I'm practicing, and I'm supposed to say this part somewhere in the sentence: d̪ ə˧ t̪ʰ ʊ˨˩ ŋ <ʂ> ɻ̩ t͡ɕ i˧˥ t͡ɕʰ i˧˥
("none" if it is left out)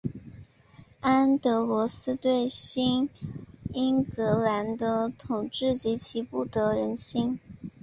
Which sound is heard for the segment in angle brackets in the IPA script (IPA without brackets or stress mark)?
ʈ͡ʂ